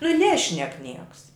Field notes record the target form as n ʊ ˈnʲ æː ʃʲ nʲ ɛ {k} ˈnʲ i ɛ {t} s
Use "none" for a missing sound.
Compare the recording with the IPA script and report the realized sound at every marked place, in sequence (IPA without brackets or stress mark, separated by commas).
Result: k, k